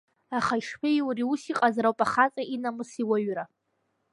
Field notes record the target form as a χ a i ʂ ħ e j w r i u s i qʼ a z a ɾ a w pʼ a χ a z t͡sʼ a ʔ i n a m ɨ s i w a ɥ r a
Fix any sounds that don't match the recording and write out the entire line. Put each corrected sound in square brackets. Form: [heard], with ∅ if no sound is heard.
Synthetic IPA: a χ a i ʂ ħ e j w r i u s i qʼ a z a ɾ a w pʼ a χ a [∅] t͡sʼ a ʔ i n a m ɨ s i w a ɥ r a